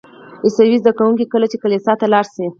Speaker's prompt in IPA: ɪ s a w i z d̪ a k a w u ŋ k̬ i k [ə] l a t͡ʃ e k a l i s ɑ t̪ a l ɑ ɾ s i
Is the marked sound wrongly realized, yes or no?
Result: no